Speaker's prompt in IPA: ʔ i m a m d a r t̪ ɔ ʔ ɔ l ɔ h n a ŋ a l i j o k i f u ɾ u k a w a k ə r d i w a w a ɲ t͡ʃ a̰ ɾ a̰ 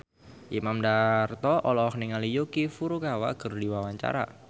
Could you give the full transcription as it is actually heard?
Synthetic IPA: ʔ i m a m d a r t̪ ɔ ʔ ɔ l ɔ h n i ŋ a l i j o k i f u ɾ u k a w a k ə r d i w a w a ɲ t͡ʃ a̰ ɾ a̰